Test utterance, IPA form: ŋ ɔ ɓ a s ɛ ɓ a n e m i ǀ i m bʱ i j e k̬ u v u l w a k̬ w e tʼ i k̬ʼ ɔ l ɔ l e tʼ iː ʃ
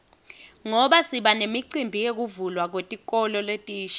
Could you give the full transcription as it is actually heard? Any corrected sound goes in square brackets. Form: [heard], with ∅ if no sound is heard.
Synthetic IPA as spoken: ŋ ɔ ɓ a s [i] ɓ a n e m i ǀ i m bʱ i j e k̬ u v u l w a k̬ w e tʼ i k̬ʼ ɔ l ɔ l e tʼ iː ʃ